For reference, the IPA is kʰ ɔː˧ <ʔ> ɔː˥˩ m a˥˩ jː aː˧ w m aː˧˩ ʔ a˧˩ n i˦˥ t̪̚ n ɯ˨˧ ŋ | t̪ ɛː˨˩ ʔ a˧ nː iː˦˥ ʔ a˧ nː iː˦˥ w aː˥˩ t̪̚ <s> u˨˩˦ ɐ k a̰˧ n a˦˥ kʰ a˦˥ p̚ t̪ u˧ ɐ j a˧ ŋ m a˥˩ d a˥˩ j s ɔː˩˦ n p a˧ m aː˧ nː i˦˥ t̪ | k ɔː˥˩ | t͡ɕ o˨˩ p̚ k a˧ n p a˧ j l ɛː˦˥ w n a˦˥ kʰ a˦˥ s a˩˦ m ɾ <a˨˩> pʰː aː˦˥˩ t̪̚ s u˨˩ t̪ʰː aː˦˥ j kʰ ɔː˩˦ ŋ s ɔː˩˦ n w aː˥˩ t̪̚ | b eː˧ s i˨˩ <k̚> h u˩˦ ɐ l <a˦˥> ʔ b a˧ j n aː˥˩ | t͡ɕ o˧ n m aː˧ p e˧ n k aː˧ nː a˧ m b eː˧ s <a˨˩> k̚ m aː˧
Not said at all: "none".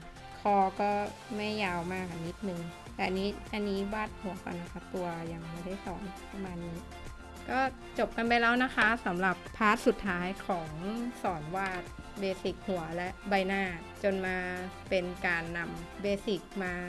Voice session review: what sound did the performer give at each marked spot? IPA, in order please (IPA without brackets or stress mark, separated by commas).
k, h, a˨˩, k̚, ɛ˦˥, i˨˩